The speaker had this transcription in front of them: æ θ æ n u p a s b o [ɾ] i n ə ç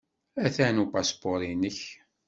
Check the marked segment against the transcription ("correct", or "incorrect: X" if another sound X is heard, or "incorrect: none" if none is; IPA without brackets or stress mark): correct